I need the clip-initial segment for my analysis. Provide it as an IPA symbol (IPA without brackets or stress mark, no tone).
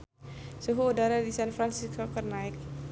s